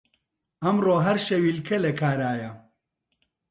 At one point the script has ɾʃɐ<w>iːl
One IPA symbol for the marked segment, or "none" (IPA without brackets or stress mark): w